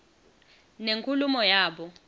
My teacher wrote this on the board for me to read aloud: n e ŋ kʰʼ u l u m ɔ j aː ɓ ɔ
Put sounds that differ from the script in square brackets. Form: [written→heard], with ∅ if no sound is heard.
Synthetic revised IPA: n e ŋ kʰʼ u l u m ɔ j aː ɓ ɔ